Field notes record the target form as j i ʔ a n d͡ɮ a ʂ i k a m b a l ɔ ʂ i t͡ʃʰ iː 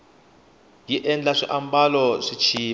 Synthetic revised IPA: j i ʔ ɛ n d͡ɮ a ʂ i ʔ a m b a l ɔ ʂ i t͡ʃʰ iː